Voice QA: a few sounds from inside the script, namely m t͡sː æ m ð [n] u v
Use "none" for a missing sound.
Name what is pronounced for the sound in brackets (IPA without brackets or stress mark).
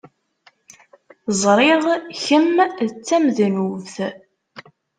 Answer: n